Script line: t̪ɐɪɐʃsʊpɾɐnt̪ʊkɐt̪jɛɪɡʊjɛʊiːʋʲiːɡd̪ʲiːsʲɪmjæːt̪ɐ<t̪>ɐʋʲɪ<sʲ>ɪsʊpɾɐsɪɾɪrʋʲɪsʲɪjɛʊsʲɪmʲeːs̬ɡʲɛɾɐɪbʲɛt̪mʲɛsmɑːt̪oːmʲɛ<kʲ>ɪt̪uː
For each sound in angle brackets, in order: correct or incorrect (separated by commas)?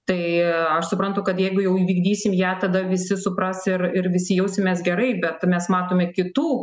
incorrect, correct, correct